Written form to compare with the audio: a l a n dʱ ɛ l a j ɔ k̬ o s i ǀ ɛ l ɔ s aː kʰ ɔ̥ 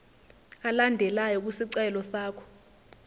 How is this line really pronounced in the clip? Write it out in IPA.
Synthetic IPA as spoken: a l a n dʱ ɛ l a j ɔ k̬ u s i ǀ ɛ l ɔ s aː kʰ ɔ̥